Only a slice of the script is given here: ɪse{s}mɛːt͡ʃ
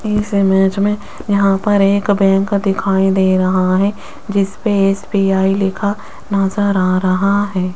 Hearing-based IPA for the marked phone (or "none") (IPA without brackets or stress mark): none